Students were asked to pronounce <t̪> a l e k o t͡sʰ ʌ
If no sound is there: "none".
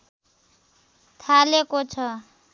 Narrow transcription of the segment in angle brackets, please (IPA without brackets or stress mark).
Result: t̪ʰ